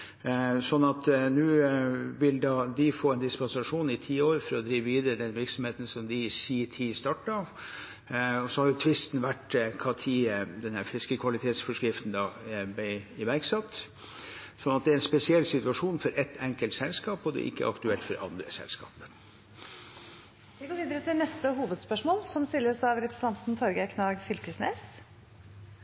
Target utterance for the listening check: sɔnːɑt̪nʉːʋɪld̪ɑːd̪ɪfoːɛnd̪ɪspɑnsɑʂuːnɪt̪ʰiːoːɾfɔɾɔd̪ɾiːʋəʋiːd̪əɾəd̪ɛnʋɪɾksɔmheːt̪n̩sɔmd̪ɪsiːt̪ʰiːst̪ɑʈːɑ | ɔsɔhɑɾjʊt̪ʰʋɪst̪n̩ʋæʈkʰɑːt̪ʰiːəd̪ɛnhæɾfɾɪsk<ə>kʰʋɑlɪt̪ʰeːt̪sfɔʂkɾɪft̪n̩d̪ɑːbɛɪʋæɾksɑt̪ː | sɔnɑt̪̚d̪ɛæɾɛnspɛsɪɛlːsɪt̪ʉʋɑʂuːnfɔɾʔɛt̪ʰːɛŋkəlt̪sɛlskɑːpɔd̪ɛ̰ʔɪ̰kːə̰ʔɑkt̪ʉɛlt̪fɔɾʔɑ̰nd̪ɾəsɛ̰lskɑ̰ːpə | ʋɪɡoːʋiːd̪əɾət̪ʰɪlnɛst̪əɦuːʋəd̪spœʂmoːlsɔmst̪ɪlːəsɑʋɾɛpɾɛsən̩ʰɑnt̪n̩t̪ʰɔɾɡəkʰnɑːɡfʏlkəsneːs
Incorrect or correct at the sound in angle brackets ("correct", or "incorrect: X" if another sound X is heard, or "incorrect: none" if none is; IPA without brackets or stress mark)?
correct